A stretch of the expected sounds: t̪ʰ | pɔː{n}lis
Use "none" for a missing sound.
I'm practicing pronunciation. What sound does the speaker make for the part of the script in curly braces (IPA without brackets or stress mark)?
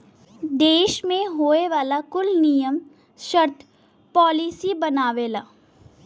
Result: none